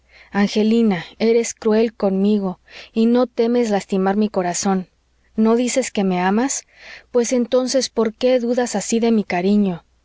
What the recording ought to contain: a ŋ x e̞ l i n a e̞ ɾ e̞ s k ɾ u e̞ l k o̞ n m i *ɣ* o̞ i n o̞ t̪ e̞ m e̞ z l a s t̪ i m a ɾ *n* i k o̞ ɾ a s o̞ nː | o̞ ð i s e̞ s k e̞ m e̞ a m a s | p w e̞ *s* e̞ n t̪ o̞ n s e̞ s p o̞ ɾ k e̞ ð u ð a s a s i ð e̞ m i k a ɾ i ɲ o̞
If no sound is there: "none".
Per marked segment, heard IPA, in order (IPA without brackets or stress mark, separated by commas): ɣ, m, s